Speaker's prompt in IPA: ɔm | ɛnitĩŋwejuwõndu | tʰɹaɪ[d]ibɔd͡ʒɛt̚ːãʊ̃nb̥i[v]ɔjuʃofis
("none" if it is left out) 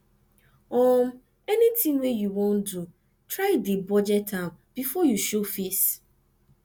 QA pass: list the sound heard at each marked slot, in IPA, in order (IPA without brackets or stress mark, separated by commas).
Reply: d, f